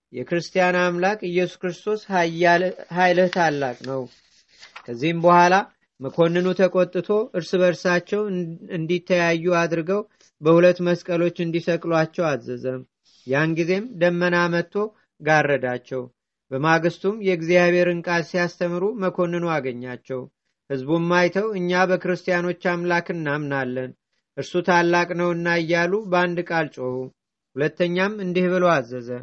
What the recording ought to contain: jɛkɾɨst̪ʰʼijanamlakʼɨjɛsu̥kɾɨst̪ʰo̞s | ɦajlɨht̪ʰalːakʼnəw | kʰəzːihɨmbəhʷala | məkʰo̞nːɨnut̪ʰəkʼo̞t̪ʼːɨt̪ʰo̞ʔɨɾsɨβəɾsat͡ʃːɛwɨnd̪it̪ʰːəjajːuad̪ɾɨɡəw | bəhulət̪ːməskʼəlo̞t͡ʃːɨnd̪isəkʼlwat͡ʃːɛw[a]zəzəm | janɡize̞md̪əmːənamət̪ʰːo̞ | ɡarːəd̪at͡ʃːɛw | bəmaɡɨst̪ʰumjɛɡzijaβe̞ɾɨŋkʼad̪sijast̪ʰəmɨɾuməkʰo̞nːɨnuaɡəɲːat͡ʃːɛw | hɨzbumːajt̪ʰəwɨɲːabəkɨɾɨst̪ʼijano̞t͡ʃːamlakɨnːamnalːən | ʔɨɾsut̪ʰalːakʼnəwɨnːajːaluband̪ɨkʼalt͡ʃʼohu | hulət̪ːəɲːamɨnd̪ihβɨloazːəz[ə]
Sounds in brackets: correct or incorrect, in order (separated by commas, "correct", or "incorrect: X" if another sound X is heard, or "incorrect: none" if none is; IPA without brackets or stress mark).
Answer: correct, correct